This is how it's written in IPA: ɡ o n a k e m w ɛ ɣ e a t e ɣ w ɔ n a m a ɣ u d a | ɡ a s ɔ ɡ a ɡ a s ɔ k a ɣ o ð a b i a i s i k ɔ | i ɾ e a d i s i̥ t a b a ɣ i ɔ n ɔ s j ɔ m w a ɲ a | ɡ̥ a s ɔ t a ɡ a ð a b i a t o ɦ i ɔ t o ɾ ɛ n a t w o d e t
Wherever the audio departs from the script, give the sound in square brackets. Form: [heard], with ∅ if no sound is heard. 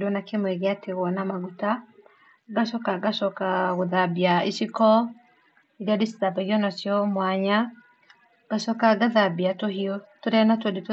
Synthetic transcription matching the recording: [d] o n a k e m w ɛ ɣ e a t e ɣ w ɔ n a m a ɣ u [t] a | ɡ a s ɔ [k] a ɡ a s ɔ k a ɣ o ð a b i a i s i k ɔ | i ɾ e a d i s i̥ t a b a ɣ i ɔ n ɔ s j ɔ m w a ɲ a | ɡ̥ a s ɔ [k] a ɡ a ð a b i a t o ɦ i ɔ t o ɾ ɛ n a t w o d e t